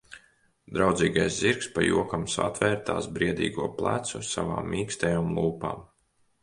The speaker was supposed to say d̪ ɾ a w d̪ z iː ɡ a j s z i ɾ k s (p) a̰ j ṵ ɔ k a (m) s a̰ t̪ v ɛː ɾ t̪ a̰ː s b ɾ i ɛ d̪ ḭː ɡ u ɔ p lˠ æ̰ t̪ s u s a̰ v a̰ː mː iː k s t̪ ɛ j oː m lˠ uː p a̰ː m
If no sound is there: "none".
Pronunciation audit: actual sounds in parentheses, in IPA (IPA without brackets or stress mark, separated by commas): p, m